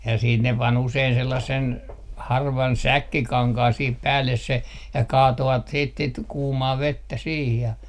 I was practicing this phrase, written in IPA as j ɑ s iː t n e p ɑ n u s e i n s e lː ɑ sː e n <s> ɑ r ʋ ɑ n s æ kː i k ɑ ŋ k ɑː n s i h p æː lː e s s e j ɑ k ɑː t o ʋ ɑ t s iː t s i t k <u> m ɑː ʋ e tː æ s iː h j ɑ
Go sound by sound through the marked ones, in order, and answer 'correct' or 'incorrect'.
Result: incorrect: h, incorrect: uː

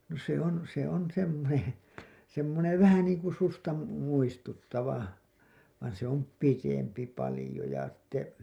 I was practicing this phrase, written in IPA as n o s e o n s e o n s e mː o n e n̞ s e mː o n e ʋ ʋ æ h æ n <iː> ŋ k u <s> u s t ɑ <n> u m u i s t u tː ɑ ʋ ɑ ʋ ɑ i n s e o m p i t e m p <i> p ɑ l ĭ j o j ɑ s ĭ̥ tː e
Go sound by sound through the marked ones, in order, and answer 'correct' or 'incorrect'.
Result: correct, correct, incorrect: m, correct

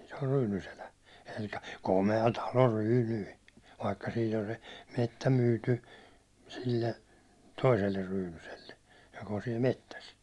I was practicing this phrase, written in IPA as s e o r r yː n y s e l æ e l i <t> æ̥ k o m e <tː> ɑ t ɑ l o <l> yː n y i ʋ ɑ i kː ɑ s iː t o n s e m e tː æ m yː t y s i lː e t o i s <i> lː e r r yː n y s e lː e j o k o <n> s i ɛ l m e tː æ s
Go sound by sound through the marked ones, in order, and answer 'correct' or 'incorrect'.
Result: incorrect: k, incorrect: none, incorrect: r, incorrect: e, correct

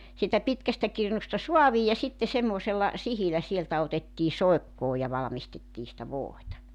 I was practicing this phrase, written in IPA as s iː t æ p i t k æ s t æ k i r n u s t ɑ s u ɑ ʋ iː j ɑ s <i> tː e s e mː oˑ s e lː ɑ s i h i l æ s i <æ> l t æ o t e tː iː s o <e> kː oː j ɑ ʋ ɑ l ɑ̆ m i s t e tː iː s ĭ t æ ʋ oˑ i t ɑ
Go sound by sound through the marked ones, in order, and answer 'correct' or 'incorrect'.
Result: correct, incorrect: e, correct

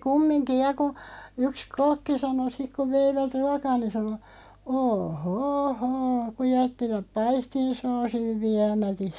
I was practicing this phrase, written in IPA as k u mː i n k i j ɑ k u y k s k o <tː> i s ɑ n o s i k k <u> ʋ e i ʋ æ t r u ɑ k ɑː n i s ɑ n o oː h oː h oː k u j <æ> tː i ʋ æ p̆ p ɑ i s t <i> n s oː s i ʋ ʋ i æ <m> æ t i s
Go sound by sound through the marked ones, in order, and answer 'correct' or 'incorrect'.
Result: incorrect: kː, correct, correct, correct, correct

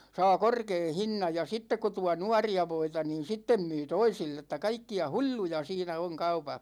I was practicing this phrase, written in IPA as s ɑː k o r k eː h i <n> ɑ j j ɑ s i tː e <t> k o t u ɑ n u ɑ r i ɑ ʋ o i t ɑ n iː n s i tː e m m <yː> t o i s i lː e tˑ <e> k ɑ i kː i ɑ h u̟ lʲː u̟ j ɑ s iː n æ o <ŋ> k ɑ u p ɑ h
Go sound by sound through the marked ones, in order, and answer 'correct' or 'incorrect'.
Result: incorrect: nː, incorrect: k, correct, incorrect: æ, correct

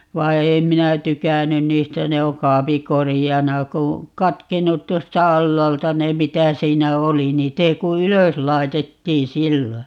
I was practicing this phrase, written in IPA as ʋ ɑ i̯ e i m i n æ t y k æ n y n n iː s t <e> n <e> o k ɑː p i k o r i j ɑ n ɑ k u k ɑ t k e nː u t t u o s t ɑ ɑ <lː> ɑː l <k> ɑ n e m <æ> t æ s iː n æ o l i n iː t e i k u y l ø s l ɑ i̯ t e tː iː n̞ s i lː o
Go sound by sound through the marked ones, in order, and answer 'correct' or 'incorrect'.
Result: incorrect: æ, correct, correct, incorrect: t, incorrect: i

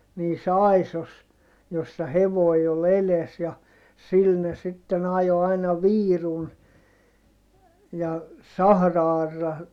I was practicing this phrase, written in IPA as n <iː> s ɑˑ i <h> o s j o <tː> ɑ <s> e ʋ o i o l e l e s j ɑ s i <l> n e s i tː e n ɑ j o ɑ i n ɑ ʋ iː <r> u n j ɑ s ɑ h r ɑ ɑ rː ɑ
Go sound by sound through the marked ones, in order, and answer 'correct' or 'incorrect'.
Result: correct, incorrect: s, incorrect: sː, incorrect: h, correct, correct

